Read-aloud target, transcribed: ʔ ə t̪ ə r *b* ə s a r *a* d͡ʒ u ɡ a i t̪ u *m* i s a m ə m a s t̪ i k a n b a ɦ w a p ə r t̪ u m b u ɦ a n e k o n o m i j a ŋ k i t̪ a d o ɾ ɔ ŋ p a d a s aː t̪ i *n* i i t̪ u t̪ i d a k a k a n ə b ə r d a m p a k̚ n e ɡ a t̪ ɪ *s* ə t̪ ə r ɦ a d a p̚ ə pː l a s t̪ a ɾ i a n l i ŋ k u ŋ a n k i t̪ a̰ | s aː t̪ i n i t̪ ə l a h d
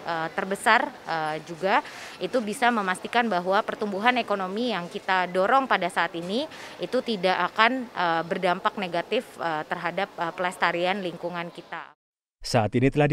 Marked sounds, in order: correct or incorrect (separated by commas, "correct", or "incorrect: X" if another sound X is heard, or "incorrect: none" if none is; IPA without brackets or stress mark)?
correct, incorrect: ə, incorrect: b, correct, incorrect: f